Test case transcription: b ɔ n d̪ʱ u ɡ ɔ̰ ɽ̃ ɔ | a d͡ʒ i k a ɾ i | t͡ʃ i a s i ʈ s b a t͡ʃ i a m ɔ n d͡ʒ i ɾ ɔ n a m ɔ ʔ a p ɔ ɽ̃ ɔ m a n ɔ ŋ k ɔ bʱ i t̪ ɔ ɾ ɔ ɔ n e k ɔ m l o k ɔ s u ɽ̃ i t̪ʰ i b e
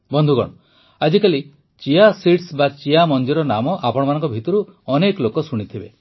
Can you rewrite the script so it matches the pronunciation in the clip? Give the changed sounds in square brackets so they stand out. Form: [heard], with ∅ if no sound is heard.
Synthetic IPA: b ɔ n d̪ʱ u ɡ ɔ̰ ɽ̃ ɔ | a d͡ʒ i k a [l] i | t͡ʃ i a s i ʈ s b a t͡ʃ i a m ɔ n d͡ʒ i ɾ ɔ n a m ɔ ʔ a p ɔ ɽ̃ ɔ m a n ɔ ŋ k ɔ bʱ i t̪ ɔ ɾ [u] ɔ n e k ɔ [∅] l o k ɔ s u ɽ̃ i t̪ʰ i b e